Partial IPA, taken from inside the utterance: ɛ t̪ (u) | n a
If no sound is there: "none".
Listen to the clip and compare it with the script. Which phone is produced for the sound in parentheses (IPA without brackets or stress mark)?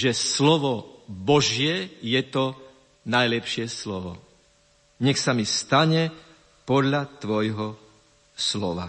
ɔ